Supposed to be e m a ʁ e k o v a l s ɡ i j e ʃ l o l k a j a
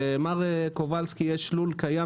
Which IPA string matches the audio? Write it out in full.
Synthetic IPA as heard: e m a ʁ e k o v a l s k i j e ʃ l u l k a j a